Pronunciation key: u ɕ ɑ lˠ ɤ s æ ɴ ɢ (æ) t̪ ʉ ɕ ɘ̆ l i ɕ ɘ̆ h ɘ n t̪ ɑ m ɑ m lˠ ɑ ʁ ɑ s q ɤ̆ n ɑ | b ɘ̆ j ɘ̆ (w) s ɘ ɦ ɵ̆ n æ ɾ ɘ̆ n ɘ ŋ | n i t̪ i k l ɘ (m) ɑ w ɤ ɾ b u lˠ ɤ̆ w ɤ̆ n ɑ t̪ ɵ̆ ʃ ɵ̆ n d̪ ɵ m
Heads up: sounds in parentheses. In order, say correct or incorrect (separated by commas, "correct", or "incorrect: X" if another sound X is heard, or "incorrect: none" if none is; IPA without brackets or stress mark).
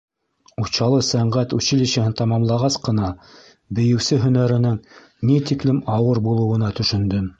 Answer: correct, correct, correct